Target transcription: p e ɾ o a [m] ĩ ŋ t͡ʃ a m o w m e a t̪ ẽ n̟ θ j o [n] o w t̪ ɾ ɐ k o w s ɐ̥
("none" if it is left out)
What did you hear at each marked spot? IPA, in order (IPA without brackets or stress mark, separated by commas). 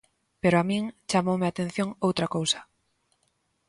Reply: m, ŋ